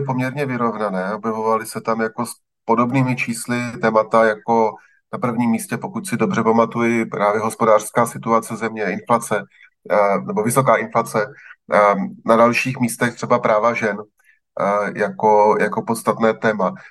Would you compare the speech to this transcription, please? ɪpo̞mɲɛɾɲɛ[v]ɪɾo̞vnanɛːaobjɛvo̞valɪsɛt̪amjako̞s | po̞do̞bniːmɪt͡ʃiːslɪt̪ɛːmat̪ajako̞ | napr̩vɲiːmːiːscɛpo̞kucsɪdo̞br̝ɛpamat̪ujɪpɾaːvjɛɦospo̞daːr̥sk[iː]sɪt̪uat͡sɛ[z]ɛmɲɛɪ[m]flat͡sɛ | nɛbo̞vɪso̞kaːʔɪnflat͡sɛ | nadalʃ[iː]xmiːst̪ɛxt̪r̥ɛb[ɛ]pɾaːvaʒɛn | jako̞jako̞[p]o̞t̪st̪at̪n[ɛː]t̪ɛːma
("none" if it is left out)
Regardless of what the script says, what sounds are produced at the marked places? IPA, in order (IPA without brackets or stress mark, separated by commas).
v, aː, z, n, iː, a, p, ɛː